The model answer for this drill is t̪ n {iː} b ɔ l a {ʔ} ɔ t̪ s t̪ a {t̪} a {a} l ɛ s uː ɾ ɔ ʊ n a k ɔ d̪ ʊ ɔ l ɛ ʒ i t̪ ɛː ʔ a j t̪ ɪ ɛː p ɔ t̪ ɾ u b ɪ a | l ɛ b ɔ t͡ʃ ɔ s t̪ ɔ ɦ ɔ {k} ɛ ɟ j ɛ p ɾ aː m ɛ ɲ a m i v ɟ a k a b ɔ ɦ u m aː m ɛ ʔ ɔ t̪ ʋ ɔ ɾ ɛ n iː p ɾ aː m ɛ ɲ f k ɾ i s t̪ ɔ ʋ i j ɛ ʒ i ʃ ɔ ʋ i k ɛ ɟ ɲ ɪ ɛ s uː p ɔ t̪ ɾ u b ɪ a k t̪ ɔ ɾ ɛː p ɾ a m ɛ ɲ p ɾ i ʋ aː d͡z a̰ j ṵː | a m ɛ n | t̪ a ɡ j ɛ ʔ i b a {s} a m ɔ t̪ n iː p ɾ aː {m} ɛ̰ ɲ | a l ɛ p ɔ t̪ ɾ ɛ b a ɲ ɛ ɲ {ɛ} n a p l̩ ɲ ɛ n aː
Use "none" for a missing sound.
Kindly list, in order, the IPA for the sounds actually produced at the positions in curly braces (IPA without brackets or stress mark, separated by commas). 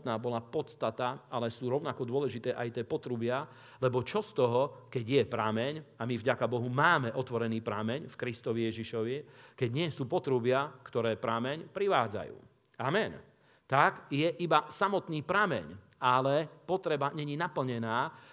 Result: aː, p, t̪, a, k, s, m, i